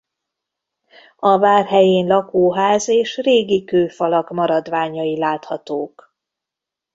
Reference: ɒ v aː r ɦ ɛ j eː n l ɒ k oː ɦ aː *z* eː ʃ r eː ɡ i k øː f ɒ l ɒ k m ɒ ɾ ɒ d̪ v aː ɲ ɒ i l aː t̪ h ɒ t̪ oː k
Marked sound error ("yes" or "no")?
no